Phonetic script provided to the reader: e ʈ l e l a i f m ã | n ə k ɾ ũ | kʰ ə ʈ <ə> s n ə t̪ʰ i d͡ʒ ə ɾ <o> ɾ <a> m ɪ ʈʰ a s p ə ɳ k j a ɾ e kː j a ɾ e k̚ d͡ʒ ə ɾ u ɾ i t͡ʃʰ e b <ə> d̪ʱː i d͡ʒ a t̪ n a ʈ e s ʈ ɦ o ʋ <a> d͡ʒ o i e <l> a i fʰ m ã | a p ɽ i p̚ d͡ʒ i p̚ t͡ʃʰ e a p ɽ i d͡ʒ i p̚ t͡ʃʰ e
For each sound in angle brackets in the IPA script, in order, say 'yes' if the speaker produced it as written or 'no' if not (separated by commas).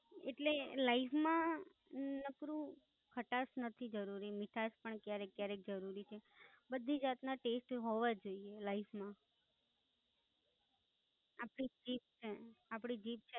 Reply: no, no, no, yes, yes, yes